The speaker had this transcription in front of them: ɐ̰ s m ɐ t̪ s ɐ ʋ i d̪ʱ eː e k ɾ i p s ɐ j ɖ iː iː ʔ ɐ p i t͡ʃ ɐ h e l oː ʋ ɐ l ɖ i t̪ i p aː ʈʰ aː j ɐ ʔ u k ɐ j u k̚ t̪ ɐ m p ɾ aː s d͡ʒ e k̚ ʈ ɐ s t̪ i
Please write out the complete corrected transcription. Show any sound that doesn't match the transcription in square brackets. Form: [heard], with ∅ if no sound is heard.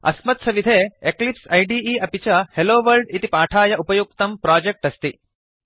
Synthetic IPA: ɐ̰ s m ɐ t̪ s ɐ ʋ i d̪ʱ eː e k [l] i p s ɐ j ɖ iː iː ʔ ɐ p i t͡ʃ ɐ h e l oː ʋ ɐ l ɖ i t̪ i p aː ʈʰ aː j ɐ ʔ u [p] ɐ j u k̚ t̪ ɐ m p ɾ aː [∅] d͡ʒ e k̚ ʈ ɐ s t̪ i